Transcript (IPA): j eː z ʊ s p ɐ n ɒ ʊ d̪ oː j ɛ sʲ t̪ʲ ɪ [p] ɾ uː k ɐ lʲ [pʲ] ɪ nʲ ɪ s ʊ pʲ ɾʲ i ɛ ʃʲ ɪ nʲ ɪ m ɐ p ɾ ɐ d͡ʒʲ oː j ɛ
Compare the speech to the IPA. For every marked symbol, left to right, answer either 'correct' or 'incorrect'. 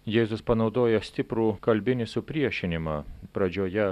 correct, incorrect: bʲ

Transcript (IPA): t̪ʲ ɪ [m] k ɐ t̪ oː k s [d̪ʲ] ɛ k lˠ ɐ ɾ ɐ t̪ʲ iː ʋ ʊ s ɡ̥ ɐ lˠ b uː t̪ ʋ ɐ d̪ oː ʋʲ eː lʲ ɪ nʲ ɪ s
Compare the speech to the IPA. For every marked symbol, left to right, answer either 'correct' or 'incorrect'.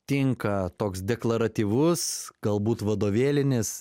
incorrect: ŋ, correct

